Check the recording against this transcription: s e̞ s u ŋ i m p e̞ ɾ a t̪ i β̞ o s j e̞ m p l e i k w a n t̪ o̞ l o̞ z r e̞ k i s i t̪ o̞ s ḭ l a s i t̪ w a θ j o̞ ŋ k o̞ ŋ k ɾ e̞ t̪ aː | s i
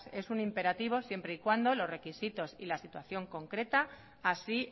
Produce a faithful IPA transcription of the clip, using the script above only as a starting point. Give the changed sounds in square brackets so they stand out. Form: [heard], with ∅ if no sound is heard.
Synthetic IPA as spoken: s e̞ s u [n] i m p e̞ ɾ a t̪ i β̞ o s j e̞ m p [ɾ] e i k w a n [d̪] o̞ l o̞ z r e̞ k i s i t̪ o̞ s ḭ l a s i t̪ w a θ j o̞ ŋ k o̞ ŋ k ɾ e̞ t̪ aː | s i